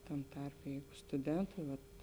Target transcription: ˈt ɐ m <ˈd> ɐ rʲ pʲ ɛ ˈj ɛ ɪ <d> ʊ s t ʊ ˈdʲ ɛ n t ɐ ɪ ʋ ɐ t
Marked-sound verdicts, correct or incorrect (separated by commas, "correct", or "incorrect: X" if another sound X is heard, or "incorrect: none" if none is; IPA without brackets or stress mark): incorrect: t, incorrect: ɡ